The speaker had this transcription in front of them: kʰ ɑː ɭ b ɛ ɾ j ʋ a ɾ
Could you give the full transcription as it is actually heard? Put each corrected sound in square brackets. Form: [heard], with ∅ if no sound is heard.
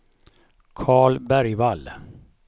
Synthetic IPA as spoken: kʰ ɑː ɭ b [æ] ɾ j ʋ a [l]